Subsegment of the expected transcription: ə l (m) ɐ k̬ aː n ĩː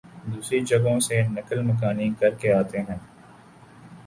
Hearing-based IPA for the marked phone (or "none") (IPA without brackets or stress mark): m